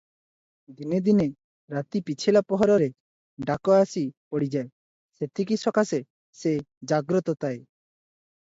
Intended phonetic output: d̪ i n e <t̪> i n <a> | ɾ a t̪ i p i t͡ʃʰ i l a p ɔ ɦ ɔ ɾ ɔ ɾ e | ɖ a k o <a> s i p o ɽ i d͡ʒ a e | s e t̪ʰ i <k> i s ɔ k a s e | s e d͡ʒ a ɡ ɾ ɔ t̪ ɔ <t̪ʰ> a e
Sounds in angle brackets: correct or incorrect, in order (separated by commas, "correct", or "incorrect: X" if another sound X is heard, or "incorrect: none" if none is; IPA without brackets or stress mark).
incorrect: d̪, incorrect: e, correct, correct, incorrect: t̪